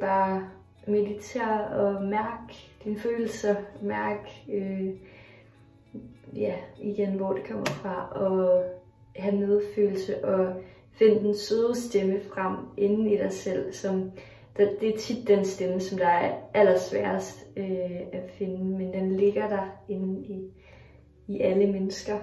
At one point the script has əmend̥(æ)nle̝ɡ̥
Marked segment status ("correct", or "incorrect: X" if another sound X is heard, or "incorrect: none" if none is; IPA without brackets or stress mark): incorrect: e